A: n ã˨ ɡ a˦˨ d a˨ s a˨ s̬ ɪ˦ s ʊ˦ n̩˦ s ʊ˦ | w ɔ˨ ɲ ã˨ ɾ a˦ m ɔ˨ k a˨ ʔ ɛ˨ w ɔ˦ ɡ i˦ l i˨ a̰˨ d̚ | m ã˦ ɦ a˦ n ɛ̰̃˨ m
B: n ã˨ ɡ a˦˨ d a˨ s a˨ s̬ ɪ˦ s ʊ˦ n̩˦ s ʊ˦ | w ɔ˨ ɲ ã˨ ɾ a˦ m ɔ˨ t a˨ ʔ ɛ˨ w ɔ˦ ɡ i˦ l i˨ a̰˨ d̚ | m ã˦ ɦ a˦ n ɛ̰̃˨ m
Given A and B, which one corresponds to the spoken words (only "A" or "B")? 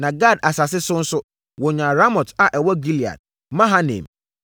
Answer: B